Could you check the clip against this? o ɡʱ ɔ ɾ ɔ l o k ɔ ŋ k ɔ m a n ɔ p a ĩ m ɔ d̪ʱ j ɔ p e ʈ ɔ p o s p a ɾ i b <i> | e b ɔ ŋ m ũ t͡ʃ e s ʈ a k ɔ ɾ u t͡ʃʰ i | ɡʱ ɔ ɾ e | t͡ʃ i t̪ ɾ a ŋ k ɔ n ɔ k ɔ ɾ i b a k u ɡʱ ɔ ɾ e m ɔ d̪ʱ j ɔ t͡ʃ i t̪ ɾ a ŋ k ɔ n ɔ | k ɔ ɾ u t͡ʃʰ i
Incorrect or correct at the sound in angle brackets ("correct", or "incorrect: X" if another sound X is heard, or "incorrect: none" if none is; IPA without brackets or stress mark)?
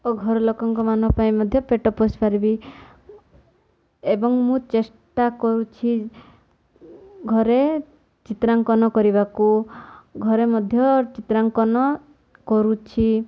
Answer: correct